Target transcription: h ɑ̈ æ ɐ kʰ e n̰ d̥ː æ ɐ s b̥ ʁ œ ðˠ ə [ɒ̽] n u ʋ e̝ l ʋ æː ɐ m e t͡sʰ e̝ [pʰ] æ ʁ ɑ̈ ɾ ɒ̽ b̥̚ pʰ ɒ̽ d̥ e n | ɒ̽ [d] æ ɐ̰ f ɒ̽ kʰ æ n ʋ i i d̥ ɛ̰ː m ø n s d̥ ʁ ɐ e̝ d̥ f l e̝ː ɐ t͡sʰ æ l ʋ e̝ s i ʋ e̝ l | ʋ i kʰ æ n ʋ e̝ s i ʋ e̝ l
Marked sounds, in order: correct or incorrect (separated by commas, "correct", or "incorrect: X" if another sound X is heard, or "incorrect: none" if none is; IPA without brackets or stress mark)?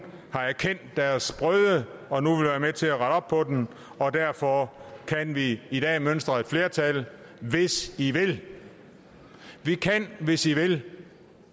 correct, incorrect: none, correct